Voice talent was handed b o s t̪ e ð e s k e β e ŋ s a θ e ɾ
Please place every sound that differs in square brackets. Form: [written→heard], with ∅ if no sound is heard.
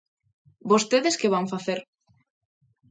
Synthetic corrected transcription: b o s t̪ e ð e s k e β [e→a] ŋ [s→f] a θ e ɾ